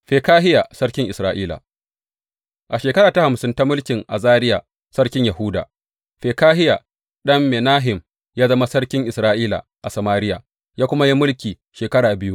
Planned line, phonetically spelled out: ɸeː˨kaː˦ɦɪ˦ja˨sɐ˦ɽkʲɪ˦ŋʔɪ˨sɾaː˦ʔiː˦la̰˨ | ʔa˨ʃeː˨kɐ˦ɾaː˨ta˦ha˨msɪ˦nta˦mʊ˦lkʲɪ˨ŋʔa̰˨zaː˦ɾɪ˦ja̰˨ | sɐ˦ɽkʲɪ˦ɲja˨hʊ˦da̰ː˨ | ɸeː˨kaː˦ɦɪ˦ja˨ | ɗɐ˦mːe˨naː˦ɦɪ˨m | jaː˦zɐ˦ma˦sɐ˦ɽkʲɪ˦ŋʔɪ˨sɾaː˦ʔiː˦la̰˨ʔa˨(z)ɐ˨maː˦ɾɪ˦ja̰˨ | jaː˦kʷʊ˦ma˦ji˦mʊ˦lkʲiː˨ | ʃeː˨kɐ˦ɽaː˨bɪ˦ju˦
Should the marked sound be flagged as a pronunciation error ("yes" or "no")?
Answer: yes